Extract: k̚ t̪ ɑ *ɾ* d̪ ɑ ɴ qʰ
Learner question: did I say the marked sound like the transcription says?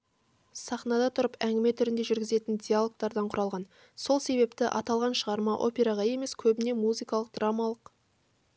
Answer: yes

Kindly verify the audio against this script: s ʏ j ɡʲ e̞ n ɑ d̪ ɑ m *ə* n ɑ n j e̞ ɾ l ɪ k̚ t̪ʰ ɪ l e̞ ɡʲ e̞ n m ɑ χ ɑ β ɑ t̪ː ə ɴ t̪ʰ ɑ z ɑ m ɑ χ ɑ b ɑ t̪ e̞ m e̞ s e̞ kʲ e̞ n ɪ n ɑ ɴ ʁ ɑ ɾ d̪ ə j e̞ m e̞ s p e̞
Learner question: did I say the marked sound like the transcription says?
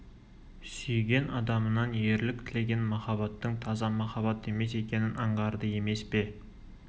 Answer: yes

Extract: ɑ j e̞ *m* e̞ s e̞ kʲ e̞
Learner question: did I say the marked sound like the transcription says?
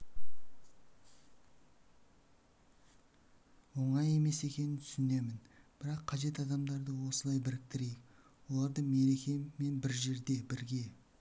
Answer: yes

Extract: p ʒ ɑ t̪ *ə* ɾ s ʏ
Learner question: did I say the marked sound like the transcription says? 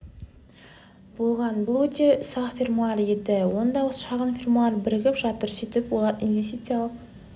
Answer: yes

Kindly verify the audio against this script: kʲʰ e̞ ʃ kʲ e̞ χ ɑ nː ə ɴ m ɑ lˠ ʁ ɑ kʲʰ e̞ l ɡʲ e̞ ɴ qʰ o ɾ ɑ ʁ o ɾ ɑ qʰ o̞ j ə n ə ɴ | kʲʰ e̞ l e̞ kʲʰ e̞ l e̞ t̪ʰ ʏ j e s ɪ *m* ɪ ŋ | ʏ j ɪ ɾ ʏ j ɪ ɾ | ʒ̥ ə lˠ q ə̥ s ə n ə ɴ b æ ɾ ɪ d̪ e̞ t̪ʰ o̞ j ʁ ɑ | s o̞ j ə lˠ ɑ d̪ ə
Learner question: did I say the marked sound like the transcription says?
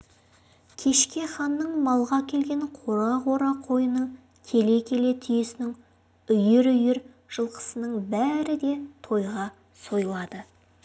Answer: no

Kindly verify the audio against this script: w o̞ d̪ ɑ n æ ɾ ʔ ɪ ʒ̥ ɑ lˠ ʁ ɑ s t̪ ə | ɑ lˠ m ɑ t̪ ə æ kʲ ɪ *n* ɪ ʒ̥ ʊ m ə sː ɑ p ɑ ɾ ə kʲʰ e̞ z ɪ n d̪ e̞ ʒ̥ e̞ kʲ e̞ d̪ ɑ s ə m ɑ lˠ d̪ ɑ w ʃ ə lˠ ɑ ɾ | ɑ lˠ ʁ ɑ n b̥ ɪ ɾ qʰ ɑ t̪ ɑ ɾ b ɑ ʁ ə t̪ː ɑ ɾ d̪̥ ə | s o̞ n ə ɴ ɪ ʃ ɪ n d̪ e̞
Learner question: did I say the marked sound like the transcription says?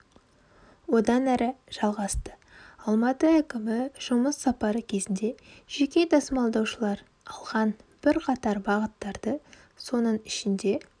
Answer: no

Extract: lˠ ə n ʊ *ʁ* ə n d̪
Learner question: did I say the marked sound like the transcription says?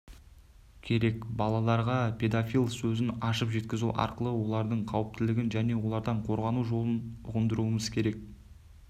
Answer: yes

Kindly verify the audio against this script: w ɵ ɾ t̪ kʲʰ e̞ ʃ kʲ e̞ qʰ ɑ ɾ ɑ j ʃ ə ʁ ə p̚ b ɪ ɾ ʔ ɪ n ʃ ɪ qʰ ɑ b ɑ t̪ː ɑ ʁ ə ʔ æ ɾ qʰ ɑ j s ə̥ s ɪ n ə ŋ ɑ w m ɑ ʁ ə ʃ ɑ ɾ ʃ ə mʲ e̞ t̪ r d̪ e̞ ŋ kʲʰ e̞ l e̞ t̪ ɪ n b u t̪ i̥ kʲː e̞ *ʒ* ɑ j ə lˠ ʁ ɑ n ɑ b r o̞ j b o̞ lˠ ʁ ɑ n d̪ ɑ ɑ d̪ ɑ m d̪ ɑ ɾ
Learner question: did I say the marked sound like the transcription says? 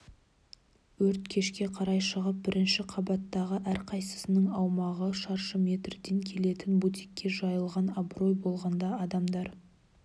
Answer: yes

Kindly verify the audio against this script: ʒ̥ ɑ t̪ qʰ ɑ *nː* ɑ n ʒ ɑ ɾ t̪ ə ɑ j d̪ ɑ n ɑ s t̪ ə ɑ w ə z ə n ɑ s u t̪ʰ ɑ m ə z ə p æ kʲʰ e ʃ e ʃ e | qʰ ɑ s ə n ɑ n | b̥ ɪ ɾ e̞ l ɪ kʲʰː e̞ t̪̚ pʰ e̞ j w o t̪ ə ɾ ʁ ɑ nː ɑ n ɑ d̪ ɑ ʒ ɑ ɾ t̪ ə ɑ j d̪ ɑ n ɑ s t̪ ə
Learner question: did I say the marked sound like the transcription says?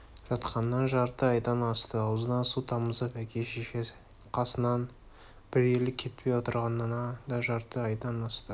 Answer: yes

